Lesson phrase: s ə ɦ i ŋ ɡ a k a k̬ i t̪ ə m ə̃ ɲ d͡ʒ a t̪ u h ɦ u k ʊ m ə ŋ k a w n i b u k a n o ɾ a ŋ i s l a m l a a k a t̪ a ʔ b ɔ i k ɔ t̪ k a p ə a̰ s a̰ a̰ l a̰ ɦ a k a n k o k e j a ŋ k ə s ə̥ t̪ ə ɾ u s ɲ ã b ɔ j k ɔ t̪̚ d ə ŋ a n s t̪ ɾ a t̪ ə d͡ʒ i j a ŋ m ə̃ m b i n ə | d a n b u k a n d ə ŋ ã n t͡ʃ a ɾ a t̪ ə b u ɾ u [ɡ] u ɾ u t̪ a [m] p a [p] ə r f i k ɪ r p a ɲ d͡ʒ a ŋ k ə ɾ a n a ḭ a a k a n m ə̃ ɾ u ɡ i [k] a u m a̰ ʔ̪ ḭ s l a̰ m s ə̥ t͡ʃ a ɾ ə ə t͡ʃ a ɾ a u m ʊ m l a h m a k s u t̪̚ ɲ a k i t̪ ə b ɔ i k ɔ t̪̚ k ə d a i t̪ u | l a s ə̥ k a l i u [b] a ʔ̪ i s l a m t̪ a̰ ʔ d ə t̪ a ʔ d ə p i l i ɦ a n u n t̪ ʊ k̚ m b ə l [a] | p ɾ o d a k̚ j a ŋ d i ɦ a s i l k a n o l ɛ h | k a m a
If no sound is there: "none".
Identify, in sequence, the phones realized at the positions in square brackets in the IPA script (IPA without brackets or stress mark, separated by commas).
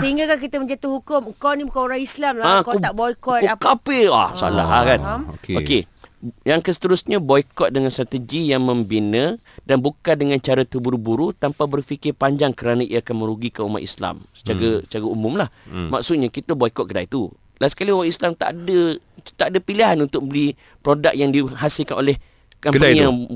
b, m, b, k, m, i